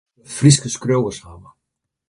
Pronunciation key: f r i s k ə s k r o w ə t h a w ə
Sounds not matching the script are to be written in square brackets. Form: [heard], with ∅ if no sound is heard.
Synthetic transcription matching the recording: f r i s k ə s k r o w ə [s] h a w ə

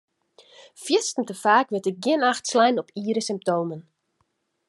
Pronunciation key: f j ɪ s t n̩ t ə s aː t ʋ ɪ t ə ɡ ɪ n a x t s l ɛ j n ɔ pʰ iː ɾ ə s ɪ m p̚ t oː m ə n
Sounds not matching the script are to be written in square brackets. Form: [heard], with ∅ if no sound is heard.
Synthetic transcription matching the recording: f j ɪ s t n̩ t ə [f] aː [k] ʋ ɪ t ə ɡ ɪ n a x t s l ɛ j n ɔ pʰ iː ɾ ə s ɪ m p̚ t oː m ə n

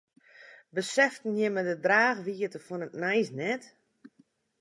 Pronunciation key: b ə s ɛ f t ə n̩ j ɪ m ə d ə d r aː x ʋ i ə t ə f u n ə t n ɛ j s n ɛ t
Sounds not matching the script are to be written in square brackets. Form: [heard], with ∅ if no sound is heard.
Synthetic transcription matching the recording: b ə s ɛ f t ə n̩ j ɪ m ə d ə d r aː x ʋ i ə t ə f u n ə t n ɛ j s n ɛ t

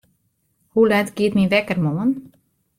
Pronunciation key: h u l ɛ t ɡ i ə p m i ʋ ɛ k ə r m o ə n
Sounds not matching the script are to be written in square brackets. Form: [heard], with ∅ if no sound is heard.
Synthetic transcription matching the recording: h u l ɛ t ɡ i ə [t] m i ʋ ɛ k ə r m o ə n

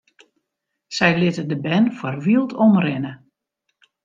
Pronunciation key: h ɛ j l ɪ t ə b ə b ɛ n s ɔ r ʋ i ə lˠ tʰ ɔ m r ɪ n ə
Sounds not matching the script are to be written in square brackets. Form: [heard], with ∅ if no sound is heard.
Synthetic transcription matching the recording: [s] ɛ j l ɪ t ə [d] ə b ɛ n [f] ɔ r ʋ i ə lˠ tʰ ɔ m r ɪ n ə

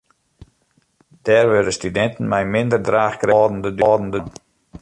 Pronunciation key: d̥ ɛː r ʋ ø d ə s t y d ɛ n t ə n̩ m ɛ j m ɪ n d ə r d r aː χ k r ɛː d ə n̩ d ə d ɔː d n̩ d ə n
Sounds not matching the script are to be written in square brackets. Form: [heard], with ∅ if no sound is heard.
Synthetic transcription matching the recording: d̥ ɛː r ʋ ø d ə s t y d ɛ n t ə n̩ m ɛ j m ɪ n d ə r d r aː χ k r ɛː d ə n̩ d ə d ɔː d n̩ d ə n

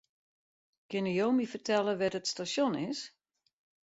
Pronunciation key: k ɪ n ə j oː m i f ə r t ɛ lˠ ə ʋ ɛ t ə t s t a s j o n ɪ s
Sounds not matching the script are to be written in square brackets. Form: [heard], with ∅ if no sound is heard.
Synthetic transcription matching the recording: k ɪ n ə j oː m i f ə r t ɛ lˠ ə ʋ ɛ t ə t s t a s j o n ɪ s

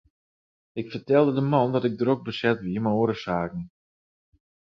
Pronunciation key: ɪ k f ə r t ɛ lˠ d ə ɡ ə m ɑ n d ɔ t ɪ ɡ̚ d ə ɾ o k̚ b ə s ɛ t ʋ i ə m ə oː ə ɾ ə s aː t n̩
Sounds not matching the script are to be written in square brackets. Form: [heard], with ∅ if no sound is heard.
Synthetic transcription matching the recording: ɪ k f ə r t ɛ lˠ d ə [d] ə m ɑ n d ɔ t ɪ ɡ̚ d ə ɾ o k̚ b ə s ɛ t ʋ i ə m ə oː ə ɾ ə s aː [k] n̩

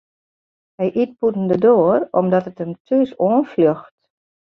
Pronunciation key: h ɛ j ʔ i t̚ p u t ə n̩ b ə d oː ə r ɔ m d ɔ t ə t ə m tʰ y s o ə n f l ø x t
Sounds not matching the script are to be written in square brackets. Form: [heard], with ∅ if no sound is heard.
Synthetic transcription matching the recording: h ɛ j ʔ i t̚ p u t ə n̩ [d] ə d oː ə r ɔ m d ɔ t ə t ə m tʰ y s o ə n f l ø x t

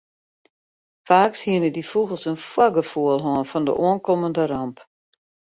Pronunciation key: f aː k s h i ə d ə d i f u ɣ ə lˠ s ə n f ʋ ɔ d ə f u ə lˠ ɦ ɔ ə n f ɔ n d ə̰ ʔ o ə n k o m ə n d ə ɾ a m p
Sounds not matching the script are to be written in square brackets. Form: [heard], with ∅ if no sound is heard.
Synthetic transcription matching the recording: f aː k s h i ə [n] ə d i f u ɣ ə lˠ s ə n f [w] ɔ [ɡ] ə f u ə lˠ ɦ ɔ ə n f ɔ n d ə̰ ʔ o ə n k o m ə n d ə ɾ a m p

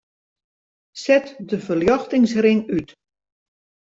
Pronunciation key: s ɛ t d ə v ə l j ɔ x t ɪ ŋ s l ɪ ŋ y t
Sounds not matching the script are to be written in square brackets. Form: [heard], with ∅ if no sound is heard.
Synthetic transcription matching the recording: s ɛ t d ə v ə l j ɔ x t ɪ ŋ s [r] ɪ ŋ y t

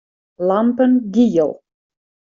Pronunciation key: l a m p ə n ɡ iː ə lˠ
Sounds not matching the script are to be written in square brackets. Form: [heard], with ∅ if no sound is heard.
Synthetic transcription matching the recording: l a m p ə n ɡ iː ə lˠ

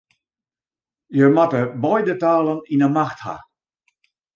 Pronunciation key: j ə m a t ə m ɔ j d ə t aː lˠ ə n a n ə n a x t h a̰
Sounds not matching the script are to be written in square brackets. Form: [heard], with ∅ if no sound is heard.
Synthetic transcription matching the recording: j ə m a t ə [b] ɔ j d ə t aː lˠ ə n [i] n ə [m] a x t h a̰

